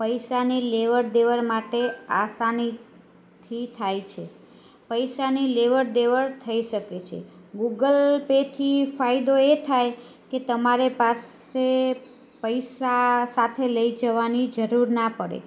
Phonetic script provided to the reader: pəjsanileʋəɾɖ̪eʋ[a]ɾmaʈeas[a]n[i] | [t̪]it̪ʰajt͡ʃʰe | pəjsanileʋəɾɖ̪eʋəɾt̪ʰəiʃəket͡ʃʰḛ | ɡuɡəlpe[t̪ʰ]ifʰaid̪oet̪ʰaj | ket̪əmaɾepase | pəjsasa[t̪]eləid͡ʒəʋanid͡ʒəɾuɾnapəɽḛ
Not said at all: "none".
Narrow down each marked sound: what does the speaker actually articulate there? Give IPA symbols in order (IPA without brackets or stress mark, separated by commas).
ə, a, i, t̪ʰ, t̪ʰ, t̪ʰ